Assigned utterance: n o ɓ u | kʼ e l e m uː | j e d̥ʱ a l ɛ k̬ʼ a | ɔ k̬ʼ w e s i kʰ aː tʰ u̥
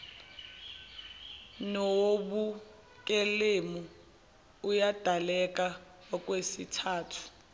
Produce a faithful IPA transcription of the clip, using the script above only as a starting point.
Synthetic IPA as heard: n o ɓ u | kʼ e l e m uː | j a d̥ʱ a l ɛ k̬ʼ a | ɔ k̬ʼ w e s i tʰ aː tʰ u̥